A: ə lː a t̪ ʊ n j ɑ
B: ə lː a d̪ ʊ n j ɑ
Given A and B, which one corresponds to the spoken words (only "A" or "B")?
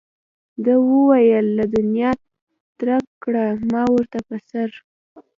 B